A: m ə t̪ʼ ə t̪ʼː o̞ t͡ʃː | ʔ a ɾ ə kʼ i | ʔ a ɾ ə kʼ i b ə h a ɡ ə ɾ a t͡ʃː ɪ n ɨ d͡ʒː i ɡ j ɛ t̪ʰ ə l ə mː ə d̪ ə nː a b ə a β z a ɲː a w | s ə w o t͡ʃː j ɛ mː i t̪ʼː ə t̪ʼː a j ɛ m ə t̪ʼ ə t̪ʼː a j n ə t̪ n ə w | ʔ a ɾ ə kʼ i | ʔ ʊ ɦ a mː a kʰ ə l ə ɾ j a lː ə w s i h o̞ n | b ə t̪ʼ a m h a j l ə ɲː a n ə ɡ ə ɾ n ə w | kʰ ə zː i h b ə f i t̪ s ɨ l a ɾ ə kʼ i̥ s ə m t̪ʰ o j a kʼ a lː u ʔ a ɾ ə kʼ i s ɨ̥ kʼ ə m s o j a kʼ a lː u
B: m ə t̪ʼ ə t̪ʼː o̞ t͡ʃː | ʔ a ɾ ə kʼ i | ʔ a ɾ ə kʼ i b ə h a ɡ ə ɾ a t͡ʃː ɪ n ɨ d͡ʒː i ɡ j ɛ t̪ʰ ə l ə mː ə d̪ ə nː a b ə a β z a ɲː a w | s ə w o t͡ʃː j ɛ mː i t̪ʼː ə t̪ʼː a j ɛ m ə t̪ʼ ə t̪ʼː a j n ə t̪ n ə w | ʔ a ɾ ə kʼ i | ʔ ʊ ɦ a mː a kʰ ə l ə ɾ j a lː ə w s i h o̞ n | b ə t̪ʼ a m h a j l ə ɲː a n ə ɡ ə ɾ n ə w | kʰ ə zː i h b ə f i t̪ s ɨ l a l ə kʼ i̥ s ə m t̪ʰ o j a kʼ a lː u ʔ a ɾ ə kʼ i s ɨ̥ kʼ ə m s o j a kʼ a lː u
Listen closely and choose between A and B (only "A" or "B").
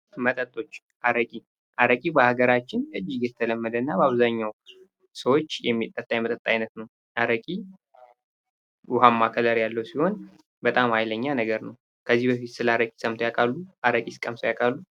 A